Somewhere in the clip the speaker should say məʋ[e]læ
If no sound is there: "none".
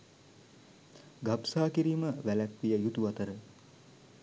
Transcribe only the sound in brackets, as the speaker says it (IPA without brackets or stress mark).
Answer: æ